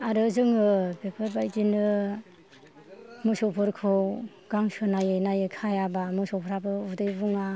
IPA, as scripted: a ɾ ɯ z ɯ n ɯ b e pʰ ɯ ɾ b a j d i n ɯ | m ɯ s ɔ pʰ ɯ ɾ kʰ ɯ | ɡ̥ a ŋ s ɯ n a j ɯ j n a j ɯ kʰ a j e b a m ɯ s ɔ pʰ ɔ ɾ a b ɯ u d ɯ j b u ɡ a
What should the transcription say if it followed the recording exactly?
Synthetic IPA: a ɾ ɯ z ɯ ŋ ɯ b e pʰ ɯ ɾ b a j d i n ɯ | m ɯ s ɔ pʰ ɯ ɾ kʰ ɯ | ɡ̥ a ŋ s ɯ n a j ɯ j n a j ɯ kʰ a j a b a m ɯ s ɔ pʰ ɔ ɾ a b ɯ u d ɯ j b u ŋ a